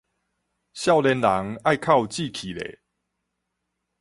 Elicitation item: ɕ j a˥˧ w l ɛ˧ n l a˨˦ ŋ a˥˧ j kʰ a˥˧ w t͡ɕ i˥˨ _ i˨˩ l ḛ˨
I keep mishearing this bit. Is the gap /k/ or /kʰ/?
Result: kʰ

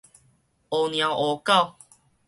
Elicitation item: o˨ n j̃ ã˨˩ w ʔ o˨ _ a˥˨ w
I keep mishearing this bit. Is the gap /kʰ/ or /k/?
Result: k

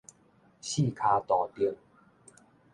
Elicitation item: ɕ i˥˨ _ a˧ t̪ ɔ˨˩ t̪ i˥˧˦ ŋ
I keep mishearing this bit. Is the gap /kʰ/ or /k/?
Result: kʰ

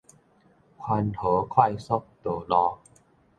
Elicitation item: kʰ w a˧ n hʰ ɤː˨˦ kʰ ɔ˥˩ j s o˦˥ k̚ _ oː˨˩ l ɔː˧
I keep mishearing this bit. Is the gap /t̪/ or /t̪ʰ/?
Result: t̪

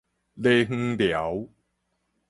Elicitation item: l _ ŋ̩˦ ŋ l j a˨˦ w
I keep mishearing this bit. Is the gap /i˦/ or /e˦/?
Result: e˦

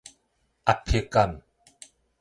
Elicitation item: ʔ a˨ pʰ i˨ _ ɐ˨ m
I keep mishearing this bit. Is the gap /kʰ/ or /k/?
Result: k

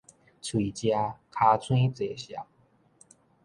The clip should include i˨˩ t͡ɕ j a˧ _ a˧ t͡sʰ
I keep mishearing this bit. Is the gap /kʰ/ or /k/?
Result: kʰ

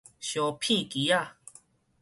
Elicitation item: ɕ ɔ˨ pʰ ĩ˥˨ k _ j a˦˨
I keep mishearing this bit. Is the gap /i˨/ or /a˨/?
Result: i˨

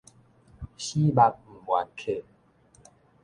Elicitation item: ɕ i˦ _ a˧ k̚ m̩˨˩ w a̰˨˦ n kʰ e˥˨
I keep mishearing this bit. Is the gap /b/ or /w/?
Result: b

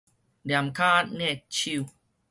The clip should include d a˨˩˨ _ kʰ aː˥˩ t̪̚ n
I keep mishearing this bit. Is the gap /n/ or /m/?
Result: m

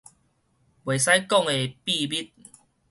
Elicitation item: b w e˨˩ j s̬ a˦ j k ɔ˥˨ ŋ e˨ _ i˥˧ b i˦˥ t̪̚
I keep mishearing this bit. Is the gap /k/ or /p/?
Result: p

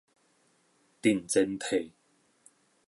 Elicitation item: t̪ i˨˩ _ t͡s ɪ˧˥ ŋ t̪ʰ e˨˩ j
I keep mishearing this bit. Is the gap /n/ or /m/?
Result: n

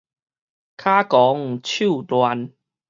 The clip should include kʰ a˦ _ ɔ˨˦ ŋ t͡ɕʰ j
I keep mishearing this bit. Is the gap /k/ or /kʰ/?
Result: k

